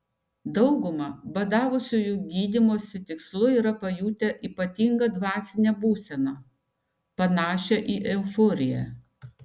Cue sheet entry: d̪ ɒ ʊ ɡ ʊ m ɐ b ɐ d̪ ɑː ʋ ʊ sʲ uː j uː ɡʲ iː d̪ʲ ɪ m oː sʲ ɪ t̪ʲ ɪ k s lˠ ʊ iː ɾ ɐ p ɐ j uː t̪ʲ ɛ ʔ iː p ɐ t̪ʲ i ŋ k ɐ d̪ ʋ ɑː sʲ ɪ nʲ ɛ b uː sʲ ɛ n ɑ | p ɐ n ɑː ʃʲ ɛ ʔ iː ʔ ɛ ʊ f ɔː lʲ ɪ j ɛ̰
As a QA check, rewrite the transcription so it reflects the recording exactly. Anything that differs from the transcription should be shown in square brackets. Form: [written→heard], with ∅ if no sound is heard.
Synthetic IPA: d̪ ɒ ʊ ɡ ʊ m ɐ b ɐ d̪ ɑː ʋ ʊ sʲ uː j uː ɡʲ iː d̪ʲ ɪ m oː sʲ ɪ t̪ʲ ɪ k s lˠ ʊ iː ɾ ɐ p ɐ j uː t̪ʲ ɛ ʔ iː p ɐ t̪ʲ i ŋ [k→ɡ] ɐ d̪ ʋ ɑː sʲ ɪ nʲ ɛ b uː sʲ ɛ n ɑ | p ɐ n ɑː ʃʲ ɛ ʔ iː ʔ ɛ ʊ f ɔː [lʲ→ɾʲ] ɪ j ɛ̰